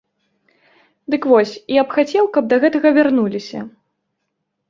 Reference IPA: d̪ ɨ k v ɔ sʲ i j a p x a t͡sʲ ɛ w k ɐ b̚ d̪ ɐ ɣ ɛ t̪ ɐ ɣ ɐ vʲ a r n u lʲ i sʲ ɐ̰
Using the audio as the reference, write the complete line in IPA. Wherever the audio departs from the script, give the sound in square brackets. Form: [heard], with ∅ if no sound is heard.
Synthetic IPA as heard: d̪ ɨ k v ɔ sʲ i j a p x a t͡sʲ ɛ w k ɐ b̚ d̪ ɐ ɣ ɛ t̪ ɐ ɣ ɐ vʲ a r n u lʲ i sʲ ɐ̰